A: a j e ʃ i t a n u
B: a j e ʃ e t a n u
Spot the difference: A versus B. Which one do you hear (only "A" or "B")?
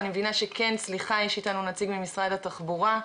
A